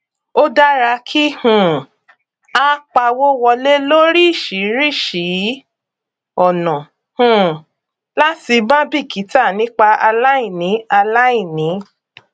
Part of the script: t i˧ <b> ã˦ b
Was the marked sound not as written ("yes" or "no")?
no